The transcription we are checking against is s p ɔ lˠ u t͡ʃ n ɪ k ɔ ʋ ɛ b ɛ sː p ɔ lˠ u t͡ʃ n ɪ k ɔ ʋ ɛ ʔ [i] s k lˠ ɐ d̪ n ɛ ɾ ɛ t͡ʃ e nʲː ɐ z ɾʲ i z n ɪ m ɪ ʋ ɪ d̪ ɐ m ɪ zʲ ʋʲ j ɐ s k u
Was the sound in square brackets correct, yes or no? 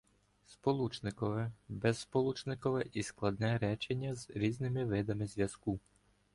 yes